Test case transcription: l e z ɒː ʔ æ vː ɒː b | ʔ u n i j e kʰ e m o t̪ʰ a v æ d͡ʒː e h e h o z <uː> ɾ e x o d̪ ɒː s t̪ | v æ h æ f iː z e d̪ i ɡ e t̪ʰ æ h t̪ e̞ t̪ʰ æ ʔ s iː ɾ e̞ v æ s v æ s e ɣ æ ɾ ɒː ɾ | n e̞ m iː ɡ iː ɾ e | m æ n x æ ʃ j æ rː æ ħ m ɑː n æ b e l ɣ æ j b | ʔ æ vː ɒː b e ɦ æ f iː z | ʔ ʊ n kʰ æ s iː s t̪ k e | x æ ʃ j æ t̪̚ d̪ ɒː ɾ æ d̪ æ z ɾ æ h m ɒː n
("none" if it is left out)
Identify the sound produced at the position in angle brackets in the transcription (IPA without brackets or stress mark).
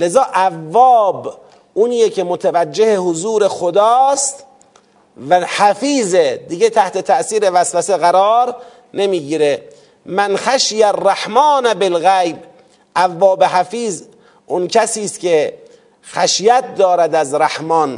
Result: uː